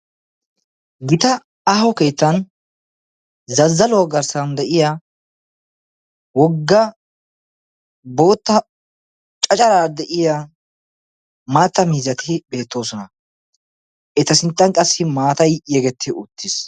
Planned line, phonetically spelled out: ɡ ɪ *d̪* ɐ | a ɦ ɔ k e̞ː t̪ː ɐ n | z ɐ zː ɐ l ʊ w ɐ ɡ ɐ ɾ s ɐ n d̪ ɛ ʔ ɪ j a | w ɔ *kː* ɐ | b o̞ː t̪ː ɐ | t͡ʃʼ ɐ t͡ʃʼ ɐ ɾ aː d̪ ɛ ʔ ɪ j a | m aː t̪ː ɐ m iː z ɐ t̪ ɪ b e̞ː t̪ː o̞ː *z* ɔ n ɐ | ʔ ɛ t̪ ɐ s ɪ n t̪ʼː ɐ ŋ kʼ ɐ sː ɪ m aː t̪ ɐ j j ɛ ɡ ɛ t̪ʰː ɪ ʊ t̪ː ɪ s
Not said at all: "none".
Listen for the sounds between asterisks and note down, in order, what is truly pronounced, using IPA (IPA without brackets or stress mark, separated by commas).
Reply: t̪, ɡː, s